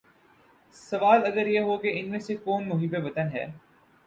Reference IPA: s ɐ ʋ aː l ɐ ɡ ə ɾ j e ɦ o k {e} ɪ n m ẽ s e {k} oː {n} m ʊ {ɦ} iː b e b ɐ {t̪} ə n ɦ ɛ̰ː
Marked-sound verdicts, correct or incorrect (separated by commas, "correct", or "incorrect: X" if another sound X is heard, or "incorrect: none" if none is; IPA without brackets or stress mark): correct, correct, correct, correct, correct